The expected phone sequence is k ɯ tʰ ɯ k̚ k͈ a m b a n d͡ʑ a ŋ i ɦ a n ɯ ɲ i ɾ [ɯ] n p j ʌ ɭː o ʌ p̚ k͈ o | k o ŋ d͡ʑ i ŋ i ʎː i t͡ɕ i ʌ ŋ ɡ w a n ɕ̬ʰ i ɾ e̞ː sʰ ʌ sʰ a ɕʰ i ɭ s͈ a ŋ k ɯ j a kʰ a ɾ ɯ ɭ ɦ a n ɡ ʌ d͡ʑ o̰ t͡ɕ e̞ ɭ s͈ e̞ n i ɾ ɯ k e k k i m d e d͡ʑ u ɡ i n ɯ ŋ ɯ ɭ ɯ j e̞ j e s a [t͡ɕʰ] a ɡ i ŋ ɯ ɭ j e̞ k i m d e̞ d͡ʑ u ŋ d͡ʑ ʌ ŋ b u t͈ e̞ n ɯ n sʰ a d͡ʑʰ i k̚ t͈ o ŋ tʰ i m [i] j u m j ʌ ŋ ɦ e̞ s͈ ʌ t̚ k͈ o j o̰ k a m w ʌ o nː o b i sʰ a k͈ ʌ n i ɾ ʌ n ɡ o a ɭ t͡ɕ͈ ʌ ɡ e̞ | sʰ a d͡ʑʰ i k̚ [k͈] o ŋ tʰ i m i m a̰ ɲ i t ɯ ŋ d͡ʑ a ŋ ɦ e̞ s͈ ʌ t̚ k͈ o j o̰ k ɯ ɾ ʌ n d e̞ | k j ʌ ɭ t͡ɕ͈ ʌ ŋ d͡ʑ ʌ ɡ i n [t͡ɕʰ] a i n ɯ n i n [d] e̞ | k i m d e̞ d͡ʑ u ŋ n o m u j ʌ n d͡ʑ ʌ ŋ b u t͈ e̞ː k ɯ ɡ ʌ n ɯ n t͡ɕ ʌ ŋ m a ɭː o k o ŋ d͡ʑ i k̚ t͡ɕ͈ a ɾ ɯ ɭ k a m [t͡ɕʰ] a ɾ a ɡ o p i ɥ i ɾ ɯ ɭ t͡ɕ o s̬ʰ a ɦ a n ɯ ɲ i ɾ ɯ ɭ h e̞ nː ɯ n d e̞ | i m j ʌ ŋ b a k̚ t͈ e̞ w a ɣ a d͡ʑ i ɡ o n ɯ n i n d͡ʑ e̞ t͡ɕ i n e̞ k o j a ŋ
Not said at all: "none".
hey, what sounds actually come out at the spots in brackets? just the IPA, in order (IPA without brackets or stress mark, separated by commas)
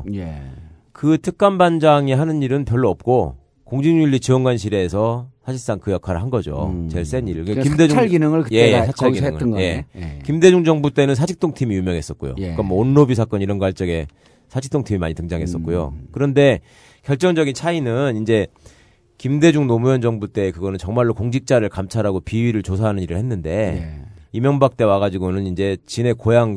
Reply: ɯ, t͡ɕʰ, i, t͈, t͡ɕʰ, d͡ʑ, t͡ɕʰ